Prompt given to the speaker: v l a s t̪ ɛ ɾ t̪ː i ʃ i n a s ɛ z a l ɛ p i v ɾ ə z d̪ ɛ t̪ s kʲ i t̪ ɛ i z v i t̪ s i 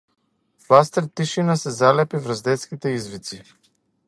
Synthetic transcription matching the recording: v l a s t̪ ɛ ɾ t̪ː i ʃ i n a s ɛ z a l ɛ p i v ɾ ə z d̪ ɛ t̪ s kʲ i t̪ ɛ i z v i t̪ s i